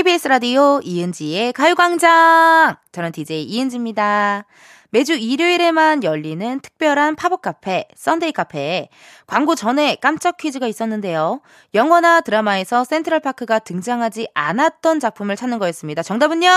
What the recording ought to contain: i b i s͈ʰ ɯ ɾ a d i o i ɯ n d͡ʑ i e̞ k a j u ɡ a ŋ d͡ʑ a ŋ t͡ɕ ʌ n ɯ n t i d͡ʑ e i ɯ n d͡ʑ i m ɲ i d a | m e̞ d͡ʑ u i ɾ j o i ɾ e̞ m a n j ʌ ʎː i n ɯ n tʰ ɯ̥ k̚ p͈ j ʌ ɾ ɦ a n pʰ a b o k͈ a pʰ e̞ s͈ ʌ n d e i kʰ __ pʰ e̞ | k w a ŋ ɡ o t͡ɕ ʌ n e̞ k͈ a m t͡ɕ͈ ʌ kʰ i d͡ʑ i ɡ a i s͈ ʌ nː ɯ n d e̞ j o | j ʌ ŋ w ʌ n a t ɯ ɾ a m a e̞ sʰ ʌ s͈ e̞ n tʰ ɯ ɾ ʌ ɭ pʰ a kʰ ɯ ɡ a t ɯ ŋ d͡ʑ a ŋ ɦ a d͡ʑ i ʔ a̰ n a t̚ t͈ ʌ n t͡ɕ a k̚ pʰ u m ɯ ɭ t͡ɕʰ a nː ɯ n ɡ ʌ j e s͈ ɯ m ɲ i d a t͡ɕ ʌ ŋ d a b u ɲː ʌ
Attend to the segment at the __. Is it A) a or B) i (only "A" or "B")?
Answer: A